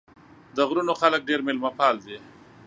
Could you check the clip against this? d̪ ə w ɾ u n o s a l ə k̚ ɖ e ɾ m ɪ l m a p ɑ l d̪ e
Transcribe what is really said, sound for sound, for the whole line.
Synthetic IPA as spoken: d̪ ə ɣ ɾ u n o x a l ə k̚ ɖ e ɾ m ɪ l m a p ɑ l d̪ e